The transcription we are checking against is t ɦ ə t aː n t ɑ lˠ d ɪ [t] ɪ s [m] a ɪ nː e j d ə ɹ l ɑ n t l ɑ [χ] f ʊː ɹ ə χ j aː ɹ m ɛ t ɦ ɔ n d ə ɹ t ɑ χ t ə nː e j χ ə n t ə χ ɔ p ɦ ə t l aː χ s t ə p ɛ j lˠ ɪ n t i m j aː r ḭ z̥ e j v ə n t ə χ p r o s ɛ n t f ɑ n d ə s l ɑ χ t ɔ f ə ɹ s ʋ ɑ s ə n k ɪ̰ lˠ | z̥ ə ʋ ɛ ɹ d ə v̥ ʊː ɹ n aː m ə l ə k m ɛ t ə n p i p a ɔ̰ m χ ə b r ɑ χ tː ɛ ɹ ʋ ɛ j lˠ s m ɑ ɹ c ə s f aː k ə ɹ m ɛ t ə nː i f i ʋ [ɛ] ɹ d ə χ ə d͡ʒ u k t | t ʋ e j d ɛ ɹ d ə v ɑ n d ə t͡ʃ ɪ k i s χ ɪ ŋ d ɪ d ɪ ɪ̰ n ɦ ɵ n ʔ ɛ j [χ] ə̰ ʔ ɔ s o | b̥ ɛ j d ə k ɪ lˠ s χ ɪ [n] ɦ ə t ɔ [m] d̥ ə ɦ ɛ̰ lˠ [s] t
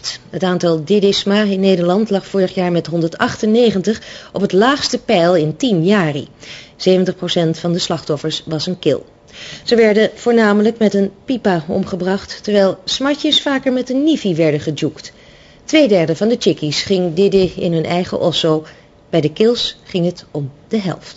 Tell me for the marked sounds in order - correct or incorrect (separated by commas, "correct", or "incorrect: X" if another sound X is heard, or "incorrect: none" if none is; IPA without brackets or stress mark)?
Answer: incorrect: d, correct, correct, correct, correct, incorrect: ŋ, correct, incorrect: f